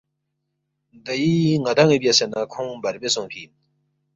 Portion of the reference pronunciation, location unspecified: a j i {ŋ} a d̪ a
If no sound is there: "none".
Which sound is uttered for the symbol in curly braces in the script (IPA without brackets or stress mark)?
ŋ